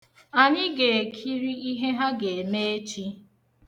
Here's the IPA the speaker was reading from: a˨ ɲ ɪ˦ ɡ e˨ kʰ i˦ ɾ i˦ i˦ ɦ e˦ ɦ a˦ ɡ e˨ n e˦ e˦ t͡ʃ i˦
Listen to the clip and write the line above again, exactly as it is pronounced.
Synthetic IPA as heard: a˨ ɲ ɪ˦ ɡ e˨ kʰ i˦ ɾ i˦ i˦ ɦ e˦ ɦ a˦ ɡ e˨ m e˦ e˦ t͡ʃ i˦